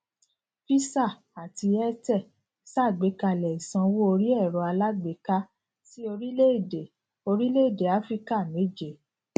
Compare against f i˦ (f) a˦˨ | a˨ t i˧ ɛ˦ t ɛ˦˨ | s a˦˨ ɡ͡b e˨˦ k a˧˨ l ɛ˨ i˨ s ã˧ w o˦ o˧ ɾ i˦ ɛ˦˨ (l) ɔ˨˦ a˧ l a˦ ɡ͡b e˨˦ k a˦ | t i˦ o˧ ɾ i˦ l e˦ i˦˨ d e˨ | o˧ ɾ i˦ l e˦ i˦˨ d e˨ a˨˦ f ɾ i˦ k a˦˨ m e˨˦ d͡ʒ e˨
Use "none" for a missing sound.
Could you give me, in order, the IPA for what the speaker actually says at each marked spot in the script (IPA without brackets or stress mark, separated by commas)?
s, ɾ